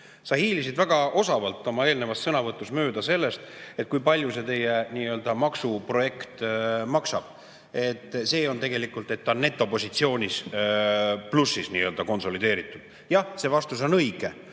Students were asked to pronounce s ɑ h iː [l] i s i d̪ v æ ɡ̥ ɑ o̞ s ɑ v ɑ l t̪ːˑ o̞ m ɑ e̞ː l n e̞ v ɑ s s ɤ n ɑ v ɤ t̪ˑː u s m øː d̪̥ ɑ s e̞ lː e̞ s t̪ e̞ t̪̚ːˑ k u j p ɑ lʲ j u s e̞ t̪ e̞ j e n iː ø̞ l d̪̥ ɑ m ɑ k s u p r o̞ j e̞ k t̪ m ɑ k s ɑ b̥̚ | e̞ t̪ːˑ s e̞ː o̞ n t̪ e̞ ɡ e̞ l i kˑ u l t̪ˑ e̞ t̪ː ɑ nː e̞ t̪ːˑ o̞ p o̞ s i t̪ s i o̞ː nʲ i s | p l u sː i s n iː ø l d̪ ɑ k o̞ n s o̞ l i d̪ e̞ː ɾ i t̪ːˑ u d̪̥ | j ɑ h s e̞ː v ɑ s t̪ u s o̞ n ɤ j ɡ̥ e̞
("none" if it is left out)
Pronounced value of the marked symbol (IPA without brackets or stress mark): l